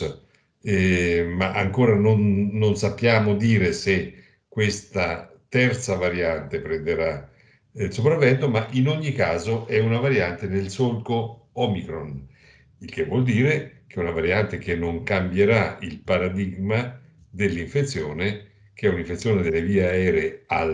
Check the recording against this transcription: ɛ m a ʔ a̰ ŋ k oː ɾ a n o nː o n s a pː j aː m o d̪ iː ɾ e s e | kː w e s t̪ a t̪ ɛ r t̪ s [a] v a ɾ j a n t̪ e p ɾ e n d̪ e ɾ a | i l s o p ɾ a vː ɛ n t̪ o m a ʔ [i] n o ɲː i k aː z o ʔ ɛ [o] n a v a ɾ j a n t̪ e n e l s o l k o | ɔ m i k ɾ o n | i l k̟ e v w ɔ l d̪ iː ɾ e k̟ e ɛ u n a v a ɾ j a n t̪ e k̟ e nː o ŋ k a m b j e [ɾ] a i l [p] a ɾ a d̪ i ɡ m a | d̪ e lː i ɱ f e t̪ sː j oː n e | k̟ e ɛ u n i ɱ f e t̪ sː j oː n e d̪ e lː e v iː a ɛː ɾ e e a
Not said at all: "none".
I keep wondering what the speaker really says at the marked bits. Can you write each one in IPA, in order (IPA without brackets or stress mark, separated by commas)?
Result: a, i, u, ɾ, p